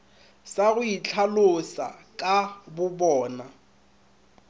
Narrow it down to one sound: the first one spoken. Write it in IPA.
s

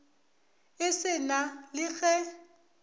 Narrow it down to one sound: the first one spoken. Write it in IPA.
ɪ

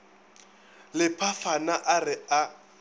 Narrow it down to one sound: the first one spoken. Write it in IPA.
l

